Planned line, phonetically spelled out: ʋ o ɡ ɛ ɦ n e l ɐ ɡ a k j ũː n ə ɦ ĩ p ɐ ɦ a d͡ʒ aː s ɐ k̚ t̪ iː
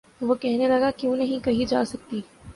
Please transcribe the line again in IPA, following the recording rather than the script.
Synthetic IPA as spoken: ʋ o k ɛ ɦ n e l ɐ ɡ a k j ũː n ɐ ɦ ĩ k ɐ ɦ i d͡ʒ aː s ɐ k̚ t̪ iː